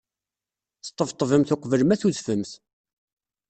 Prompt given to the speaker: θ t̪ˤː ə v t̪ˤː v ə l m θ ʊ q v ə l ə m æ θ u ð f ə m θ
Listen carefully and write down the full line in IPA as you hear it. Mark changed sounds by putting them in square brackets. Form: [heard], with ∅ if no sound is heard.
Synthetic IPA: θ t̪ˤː ə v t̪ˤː v ə [∅] m θ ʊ q v ə l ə m æ θ u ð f ə m θ